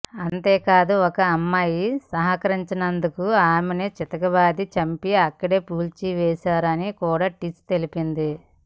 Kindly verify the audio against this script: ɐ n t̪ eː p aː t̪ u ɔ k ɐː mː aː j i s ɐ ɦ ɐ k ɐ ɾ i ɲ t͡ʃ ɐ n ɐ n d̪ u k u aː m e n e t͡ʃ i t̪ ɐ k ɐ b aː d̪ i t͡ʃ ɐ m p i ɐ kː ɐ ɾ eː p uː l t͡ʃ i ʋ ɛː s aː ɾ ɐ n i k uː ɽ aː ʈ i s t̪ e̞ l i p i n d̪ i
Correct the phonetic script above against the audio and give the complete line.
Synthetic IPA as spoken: ɐ n t̪ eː k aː d̪ u ɔ k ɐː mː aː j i s ɐ ɦ ɐ k ɐ ɾ i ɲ t͡ʃ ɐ n ɐ n d̪ u k u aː m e n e t͡ʃ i t̪ ɐ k ɐ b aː d̪ i t͡ʃ ɐ m p i ɐ kː ɐ ɽ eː p uː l t͡ʃ i ʋ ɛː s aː ɾ ɐ n i k uː ɽ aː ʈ i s t̪ e̞ l i p i n d̪ i